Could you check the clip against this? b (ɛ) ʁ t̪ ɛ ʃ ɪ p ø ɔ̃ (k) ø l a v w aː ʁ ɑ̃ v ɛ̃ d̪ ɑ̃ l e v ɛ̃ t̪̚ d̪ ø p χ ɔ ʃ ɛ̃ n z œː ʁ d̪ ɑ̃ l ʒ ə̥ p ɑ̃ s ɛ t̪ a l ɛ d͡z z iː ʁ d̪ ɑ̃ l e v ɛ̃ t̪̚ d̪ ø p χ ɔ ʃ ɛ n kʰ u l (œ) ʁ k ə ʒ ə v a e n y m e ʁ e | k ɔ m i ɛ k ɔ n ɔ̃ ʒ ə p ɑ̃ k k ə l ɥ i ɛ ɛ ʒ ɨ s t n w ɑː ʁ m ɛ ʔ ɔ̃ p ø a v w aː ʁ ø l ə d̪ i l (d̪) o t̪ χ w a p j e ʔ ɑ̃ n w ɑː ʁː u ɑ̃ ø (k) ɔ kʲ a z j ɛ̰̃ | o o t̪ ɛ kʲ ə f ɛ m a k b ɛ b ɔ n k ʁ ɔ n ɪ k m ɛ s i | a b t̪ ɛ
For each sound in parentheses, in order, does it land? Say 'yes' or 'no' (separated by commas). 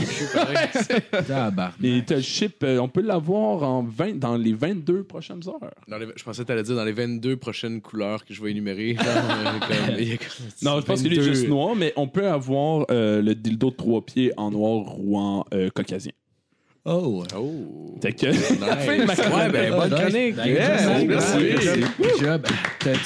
no, no, no, yes, yes